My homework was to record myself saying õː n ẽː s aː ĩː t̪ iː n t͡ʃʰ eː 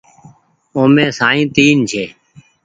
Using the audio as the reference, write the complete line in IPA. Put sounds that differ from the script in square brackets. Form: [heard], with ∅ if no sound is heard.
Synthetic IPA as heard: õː [m] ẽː s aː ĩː t̪ iː n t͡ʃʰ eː